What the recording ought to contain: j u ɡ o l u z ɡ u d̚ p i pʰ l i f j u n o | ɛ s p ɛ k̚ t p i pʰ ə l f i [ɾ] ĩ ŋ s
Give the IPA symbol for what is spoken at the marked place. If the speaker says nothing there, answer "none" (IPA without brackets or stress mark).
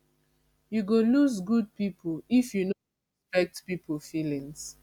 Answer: l